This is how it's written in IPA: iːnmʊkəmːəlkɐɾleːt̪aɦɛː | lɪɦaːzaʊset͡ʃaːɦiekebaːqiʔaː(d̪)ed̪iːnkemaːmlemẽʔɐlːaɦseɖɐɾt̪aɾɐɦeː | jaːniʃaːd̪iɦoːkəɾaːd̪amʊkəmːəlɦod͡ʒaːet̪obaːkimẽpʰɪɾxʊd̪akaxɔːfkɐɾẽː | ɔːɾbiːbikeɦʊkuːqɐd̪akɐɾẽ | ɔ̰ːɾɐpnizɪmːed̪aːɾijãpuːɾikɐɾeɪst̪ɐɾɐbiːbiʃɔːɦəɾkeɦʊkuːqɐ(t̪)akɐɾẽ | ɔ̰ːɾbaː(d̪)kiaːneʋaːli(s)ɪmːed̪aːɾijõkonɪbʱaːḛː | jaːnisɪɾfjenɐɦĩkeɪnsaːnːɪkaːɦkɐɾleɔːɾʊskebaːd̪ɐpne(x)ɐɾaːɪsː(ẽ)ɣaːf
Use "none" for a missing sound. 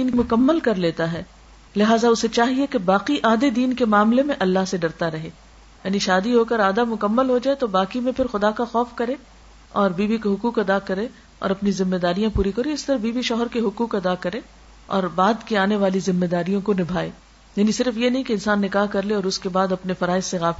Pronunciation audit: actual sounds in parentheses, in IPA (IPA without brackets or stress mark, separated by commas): d̪, d̪, d̪, z, f, e